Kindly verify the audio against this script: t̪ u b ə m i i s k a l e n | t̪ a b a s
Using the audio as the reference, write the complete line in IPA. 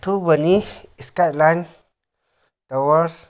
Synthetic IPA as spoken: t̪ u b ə n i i s k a l a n | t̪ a w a s